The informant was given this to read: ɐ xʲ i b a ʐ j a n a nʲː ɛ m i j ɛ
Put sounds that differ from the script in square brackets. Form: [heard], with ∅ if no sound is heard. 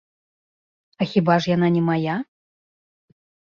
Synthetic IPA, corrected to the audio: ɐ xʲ i b a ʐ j a n a [nʲ] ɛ m [a] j [a]